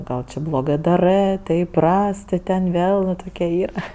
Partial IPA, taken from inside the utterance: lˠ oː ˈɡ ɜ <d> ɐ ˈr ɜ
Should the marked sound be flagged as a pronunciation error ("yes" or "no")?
no